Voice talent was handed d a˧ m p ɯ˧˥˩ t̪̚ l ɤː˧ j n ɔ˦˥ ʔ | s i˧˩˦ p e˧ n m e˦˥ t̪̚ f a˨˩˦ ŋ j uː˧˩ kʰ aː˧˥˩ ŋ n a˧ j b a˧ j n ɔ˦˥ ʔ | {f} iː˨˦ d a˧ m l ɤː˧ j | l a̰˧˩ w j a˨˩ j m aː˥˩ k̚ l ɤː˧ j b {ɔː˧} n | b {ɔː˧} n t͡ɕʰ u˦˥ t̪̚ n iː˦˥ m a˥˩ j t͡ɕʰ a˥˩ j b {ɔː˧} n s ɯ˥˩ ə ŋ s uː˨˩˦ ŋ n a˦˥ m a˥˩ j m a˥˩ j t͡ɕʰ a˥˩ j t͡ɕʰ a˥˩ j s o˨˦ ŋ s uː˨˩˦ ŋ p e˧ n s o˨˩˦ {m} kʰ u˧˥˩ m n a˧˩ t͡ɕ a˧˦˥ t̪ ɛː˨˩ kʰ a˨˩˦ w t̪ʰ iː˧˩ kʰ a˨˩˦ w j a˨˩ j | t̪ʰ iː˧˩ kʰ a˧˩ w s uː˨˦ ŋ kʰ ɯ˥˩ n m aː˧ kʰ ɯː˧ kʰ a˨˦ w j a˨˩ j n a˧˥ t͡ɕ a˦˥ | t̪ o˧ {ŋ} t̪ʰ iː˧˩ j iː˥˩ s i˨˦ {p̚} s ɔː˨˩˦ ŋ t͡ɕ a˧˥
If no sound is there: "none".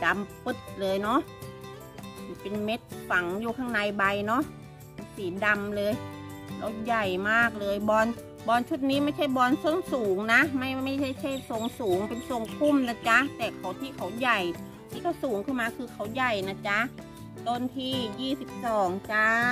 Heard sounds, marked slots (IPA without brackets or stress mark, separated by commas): s, ɔː˧, ɔː˧, ɔː˧, ŋ, n, p̚